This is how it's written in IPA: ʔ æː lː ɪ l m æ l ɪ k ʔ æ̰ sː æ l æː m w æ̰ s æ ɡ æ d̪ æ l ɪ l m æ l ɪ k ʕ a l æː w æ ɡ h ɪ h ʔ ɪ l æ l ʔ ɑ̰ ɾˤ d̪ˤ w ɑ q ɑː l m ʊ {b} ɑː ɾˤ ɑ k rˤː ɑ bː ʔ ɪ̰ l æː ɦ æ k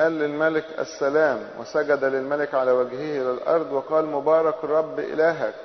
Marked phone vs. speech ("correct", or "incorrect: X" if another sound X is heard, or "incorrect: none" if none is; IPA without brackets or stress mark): correct